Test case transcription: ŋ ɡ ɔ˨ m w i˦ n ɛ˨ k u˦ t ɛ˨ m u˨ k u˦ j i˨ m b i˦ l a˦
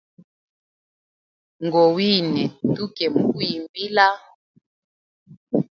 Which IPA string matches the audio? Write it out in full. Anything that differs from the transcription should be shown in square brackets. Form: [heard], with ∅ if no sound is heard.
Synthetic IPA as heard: ŋ ɡ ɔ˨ [∅] w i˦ n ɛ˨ [t] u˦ [k] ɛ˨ m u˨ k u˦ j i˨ m b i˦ l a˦